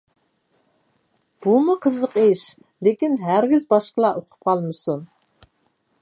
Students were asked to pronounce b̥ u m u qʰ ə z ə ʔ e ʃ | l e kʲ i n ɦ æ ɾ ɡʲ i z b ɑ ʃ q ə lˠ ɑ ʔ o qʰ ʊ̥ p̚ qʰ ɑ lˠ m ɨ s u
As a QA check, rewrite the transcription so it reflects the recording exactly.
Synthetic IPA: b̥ u m u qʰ ə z ə q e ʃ | l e kʲ i n ɦ æ ɾ ɡʲ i z b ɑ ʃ q ə lˠ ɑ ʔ o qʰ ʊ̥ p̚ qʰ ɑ lˠ m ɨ s u